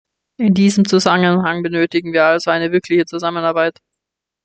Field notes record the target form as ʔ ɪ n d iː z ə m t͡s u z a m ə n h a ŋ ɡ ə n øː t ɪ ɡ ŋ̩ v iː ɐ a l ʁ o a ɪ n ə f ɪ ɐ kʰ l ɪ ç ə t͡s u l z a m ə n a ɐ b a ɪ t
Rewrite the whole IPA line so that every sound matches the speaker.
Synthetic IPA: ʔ ɪ n d iː z ə m t͡s u z a m ə n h a ŋ b ə n øː t ɪ ɡ ŋ̩ v iː ɐ a l z o a ɪ n ə v ɪ ɐ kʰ l ɪ ç ə t͡s u z a m ə n a ɐ b a ɪ t